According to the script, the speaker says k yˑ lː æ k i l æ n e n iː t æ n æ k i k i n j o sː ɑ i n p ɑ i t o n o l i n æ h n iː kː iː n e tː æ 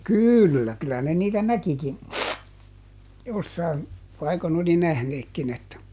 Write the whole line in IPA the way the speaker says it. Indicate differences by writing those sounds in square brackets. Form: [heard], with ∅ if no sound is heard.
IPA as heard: k yˑ lː æ k [y] l æ n e n iː t æ n æ k i k i n j o sː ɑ i n p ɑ i [k] o n o l i n æ h n [eː] kː [i] n e tː æ